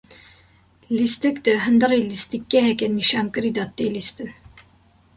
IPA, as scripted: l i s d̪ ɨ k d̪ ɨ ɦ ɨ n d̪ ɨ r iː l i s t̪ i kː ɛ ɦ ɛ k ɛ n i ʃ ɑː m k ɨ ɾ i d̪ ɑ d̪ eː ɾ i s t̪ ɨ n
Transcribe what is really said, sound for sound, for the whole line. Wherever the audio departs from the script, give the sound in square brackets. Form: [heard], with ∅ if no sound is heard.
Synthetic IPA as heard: l i s [t̪] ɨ k d̪ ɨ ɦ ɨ n d̪ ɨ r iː l i s t̪ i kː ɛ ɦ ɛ k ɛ n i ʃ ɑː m k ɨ ɾ i d̪ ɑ [t̪] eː [l] i s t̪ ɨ n